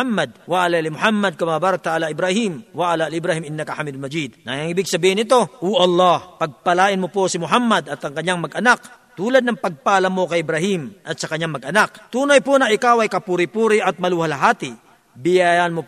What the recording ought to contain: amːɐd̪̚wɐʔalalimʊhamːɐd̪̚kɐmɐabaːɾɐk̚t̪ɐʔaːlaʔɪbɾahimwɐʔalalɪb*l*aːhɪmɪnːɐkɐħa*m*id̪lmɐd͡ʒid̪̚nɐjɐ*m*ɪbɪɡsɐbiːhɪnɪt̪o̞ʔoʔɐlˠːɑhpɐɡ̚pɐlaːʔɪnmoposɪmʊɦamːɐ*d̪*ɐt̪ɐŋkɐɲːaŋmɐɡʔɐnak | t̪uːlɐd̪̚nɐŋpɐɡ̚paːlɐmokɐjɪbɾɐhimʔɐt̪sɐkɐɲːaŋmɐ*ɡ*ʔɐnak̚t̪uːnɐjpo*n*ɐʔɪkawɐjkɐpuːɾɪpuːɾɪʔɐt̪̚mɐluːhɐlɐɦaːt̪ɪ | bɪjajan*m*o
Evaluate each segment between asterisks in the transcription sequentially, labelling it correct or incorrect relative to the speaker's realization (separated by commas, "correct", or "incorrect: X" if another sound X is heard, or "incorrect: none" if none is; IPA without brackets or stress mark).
incorrect: ɾ, correct, incorrect: ŋ, correct, correct, correct, correct